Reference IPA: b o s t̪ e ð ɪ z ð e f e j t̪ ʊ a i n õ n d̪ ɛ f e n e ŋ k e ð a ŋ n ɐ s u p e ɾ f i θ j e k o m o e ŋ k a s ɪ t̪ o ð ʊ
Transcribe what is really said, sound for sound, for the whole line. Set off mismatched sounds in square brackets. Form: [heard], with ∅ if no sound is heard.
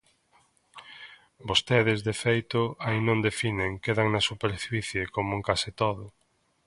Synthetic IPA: b o s t̪ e ð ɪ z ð e f e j t̪ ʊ a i n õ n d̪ [e] f [i] n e ŋ k e ð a ŋ n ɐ s u p e ɾ f i θ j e k o m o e ŋ k a s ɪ t̪ o ð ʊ